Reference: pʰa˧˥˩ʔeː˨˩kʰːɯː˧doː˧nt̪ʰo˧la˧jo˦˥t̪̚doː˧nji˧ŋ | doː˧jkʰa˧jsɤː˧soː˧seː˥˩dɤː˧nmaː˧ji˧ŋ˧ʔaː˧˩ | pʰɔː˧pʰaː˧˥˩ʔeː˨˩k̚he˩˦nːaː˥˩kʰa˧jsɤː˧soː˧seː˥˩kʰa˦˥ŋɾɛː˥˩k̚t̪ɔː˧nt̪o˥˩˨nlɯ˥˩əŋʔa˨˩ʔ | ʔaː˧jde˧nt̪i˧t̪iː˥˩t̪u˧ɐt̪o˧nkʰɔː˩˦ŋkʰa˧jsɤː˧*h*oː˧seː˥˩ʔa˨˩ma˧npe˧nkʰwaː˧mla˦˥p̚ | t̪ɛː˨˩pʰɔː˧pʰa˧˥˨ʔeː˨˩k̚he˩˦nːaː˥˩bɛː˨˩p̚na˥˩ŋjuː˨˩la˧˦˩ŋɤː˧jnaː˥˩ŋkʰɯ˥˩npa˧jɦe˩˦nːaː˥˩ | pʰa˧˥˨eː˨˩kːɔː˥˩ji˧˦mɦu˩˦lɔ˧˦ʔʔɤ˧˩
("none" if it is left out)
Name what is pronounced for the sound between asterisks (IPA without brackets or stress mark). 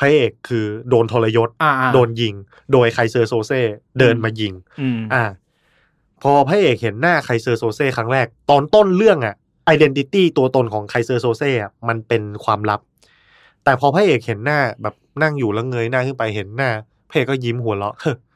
s